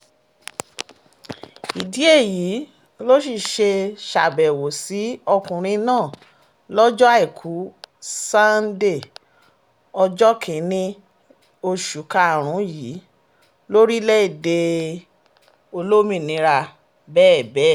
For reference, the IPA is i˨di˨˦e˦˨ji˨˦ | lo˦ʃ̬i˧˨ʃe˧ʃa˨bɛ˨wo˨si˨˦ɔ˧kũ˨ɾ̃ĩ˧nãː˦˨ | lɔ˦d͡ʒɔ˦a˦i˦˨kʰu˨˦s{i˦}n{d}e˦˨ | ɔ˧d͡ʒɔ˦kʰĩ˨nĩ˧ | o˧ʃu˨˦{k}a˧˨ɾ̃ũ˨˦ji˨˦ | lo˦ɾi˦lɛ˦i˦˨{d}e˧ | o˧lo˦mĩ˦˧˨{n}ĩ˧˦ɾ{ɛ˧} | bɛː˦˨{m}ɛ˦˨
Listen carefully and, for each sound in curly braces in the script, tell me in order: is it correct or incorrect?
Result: incorrect: a˦, correct, correct, correct, correct, incorrect: a˧, incorrect: b

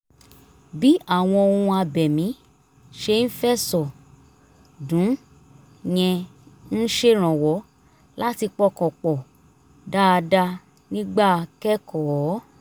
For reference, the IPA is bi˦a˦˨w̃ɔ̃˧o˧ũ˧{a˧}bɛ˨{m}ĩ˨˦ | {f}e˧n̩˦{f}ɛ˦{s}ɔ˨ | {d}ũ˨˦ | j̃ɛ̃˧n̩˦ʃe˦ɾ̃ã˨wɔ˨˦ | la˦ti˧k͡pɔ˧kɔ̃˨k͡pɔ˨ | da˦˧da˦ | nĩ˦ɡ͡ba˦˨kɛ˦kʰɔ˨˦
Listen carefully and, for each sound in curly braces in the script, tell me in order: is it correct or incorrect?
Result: correct, correct, incorrect: ʃ, correct, correct, correct

